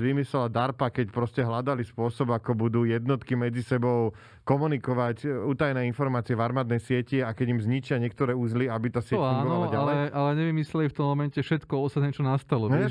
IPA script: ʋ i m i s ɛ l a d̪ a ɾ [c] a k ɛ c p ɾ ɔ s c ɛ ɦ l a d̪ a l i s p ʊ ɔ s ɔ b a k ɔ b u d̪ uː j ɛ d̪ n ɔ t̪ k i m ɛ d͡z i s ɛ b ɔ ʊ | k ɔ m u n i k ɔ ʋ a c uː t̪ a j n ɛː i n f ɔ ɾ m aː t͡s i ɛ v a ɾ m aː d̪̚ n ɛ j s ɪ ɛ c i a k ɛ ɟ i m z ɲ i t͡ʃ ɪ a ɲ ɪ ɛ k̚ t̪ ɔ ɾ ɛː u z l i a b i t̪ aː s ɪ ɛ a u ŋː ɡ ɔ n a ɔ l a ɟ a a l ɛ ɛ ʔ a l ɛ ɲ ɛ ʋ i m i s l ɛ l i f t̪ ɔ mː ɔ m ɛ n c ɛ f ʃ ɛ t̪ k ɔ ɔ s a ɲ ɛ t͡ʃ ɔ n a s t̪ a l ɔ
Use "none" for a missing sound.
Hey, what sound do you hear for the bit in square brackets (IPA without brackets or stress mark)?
p